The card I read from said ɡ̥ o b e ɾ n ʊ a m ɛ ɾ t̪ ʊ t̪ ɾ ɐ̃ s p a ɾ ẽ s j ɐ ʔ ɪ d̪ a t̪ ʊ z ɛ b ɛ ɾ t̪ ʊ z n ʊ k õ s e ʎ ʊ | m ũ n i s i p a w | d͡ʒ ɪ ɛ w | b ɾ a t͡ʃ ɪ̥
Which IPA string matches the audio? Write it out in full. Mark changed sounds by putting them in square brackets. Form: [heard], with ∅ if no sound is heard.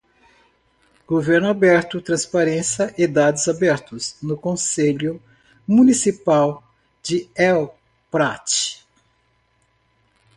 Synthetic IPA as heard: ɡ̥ o [v] e ɾ n ʊ a [b] ɛ ɾ t̪ ʊ t̪ ɾ ɐ̃ s p a ɾ ẽ s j ɐ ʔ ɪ d̪ a [d̪] ʊ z [a] b ɛ ɾ t̪ ʊ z n ʊ k õ s e ʎ ʊ | m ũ n i s i p a w | d͡ʒ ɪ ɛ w | [p] ɾ a t͡ʃ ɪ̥